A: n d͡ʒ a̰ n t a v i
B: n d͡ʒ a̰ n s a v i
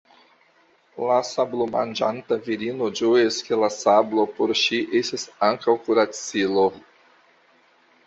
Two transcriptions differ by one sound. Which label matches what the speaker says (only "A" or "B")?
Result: A